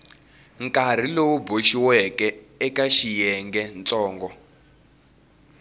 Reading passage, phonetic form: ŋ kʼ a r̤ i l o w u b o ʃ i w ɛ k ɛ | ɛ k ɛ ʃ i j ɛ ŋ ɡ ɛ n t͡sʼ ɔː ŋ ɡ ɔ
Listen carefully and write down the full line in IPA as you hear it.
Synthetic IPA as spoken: ŋ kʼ a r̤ i l o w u b o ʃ i w ɛ k ɛ | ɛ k a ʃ i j ɛ ŋ ɡ ɛ n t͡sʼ ɔː ŋ ɡ ɔ